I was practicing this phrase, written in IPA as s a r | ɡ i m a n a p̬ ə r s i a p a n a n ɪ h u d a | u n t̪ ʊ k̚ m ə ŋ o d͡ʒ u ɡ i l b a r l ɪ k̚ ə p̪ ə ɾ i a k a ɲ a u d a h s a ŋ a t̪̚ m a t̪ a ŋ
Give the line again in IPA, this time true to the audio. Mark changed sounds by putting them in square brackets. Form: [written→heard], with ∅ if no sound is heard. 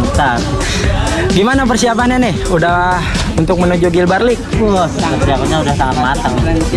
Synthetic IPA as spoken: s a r | ɡ i m a n a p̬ ə r s i a p a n a n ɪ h u d a | u n t̪ ʊ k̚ m ə [ŋ→n] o d͡ʒ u ɡ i l b a r l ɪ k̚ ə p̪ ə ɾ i a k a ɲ a u d a h s a ŋ a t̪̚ m a t̪ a ŋ